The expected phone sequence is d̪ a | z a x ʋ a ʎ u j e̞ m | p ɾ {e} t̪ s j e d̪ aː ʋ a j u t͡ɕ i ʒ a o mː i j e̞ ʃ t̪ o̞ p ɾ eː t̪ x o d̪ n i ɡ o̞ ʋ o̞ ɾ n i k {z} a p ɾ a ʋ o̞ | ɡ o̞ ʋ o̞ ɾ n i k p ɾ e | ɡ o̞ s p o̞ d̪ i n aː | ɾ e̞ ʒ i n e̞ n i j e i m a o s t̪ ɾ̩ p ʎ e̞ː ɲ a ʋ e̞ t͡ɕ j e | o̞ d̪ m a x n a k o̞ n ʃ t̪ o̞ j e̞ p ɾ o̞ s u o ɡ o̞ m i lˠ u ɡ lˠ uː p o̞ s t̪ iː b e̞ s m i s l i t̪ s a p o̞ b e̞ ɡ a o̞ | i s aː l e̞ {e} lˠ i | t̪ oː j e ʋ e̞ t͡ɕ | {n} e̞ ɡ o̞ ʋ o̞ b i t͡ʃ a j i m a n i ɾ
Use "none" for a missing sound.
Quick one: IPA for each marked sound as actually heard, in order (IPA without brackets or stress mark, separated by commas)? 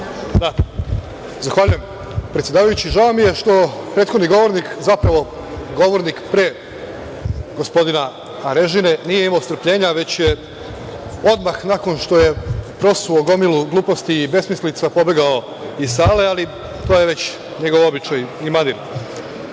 e, z, a, ɲ